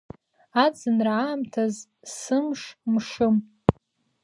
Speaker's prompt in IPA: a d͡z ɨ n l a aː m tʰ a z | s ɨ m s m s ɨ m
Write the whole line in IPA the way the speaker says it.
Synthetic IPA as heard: a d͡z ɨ n r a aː m tʰ a z | s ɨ m ʂ m ʂ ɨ m